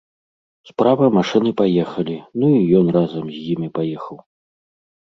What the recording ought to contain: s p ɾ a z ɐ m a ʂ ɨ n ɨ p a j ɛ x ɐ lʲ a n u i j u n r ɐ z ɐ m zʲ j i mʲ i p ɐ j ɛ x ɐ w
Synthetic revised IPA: s p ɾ a v ɐ m a ʂ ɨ n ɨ p a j ɛ x ɐ lʲ i n u i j ɔ n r a z ɐ m zʲ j i mʲ i p a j ɛ x ɐ w

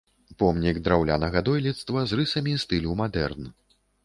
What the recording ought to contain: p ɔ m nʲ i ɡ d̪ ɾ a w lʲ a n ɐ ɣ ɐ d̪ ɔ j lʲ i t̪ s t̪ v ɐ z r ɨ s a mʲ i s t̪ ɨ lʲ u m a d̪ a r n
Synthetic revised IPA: p ɔ m nʲ i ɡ d̪ ɾ a w lʲ a n ɐ ɣ ɐ d̪ ɔ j lʲ i t̪ s t̪ v ɐ z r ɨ s ɐ mʲ i s t̪ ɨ lʲ u m a d̪ ɛ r n

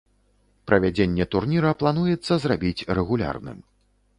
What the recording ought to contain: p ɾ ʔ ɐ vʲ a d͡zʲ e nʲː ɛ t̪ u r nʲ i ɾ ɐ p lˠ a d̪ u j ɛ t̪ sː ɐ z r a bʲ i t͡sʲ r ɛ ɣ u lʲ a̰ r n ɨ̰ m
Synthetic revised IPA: p ɾ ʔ ɐ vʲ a d͡zʲ e nʲː ɛ t̪ u r nʲ i ɾ ɐ p lˠ a n̪ u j ɛ t̪ sː ɐ z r a bʲ i t͡sʲ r ɛ ɣ u lʲ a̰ r n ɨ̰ m

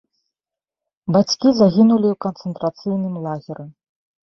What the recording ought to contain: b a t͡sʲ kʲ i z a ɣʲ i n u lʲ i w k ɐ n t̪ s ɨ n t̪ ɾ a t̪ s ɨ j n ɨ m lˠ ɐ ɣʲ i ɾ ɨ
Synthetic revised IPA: b a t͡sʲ kʲ i z a ɣʲ i n u lʲ i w k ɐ n t̪ s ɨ n t̪ ɾ a t̪ s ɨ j n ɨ m lˠ a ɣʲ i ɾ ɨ

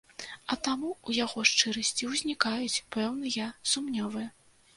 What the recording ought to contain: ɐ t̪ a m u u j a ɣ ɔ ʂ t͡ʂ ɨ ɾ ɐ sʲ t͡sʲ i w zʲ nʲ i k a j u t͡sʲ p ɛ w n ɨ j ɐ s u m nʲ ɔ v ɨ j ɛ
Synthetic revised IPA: ɐ t̪ a m u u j a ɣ ɔ ʂ t͡ʂ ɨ ɾ ɐ sʲ t͡sʲ i w zʲ nʲ i k a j u t͡sʲ p ɛ w n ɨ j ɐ s u m nʲ ɔ v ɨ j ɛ

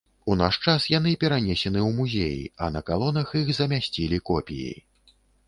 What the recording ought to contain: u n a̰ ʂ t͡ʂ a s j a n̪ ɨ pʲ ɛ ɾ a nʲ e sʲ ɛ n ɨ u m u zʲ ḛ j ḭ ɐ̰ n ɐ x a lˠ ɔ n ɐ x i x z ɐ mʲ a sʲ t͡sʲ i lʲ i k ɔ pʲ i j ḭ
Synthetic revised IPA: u n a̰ ʂ t͡ʂ a s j a n̪ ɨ pʲ ɛ ɾ a nʲ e sʲ ɛ n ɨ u m u zʲ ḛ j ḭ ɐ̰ n ɐ k a lˠ ɔ n ɐ x i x z ɐ mʲ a sʲ t͡sʲ i lʲ i k ɔ pʲ i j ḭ

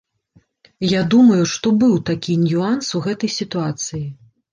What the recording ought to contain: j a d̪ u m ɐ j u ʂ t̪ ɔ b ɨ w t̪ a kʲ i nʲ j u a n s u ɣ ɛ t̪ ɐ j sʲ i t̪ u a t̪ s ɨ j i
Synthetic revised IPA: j a d̪ u m ɐ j u ʂ t̪ ɔ b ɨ w t̪ a kʲ i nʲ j u a n s u ɣ ɛ t̪ ɐ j sʲ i t̪ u a t̪ s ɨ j i

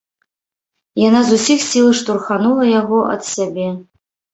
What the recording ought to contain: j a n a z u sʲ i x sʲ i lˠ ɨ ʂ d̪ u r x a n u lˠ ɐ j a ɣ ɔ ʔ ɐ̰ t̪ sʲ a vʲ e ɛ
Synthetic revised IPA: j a n a z u sʲ i x sʲ i lˠ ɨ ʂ t̪ u r x a n u lˠ ɐ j a ɣ ɔ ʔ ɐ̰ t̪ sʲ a bʲ e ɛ

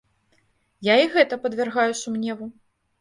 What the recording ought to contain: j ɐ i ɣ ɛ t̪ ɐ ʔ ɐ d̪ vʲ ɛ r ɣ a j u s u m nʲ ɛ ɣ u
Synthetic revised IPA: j a i ɣ ɛ t̪ ɐ p ɐ d̪ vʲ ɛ r ɣ a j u s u m nʲ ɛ v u

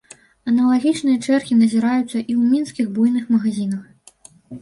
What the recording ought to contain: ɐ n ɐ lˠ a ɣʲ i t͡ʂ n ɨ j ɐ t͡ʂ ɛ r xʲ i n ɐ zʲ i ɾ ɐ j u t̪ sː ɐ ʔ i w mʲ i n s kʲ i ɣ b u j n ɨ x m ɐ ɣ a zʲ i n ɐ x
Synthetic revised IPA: ɐ n ɐ lˠ a ɣʲ i t͡ʂ n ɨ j ɐ t͡ʂ ɛ r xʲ i n ɐ zʲ i ɾ a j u t̪ sː ɐ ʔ i w mʲ i n s kʲ i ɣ b u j n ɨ x m ɐ ɣ a zʲ i n ɐ x

